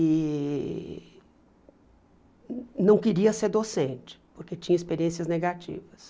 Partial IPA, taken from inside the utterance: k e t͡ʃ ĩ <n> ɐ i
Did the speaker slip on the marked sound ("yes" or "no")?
yes